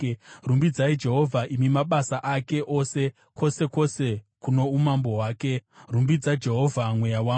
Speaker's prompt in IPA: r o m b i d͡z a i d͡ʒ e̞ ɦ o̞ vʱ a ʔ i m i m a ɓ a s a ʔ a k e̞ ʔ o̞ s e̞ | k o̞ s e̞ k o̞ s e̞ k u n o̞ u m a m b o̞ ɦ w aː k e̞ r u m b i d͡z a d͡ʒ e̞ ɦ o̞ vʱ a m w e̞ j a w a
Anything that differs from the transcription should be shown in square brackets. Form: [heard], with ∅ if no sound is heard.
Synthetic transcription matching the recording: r [u] m b i d͡z a i d͡ʒ e̞ ɦ o̞ vʱ a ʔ i m i m a ɓ a s a ʔ a k e̞ ʔ o̞ s e̞ | k o̞ s e̞ k o̞ s e̞ k u n o̞ u m a m b o̞ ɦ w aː k e̞ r u m b i d͡z a d͡ʒ e̞ ɦ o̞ vʱ a m w e̞ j a w a